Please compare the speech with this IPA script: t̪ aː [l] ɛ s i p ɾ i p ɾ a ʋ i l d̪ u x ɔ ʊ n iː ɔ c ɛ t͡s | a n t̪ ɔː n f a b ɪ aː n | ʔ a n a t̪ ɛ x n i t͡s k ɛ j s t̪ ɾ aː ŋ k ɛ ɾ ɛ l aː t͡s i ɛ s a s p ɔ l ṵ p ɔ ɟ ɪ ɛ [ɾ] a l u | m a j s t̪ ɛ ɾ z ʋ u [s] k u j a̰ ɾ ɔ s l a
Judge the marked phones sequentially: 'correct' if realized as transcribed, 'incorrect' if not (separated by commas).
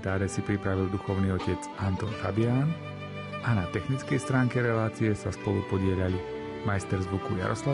incorrect, incorrect, incorrect